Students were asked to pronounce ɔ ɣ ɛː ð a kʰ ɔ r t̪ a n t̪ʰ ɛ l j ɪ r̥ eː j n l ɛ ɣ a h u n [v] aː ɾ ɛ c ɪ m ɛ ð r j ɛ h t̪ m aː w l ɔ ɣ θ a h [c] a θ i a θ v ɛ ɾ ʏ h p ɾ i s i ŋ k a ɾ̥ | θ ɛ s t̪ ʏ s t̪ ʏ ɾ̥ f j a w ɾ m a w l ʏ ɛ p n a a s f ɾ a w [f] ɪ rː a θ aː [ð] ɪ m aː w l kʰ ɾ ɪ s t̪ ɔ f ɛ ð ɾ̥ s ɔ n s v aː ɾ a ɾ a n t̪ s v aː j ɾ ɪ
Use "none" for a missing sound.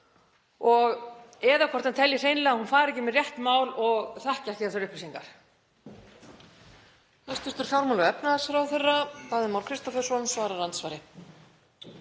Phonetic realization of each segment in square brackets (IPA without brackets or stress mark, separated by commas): f, c, θ, ð